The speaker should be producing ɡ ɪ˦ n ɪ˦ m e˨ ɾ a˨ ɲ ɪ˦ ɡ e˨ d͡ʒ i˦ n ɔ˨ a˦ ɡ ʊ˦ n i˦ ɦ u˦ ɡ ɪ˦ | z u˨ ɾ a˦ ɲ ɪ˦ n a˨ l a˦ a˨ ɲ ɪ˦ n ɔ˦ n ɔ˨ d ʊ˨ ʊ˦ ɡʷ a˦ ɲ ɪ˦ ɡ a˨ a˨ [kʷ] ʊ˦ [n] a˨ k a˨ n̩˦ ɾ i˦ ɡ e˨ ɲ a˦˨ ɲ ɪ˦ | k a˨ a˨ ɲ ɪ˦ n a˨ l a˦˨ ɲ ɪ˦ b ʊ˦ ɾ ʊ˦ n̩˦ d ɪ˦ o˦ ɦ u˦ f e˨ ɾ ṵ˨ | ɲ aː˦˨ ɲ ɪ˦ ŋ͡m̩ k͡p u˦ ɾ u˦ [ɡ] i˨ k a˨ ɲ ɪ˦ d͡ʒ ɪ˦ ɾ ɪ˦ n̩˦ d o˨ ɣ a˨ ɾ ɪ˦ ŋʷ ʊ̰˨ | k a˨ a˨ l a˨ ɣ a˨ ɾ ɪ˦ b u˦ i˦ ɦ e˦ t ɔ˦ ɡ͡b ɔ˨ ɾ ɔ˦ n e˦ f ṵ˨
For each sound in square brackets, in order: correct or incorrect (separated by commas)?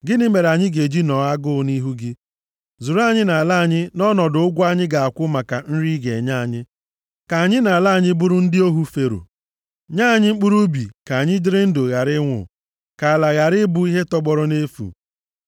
correct, incorrect, incorrect